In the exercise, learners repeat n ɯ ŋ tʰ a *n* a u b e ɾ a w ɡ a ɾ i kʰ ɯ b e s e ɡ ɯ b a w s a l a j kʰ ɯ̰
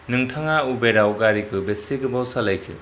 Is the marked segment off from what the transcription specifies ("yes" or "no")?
yes